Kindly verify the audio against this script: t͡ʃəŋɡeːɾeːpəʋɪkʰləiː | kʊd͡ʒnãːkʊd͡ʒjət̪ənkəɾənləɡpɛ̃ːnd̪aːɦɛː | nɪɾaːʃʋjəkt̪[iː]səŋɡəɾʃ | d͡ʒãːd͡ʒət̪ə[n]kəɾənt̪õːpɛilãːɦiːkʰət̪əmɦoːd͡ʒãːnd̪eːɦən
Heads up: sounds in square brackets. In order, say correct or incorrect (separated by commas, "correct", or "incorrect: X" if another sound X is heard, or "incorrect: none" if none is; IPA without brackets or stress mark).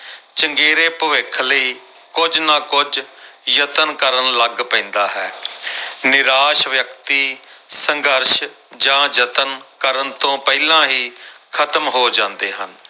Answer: correct, correct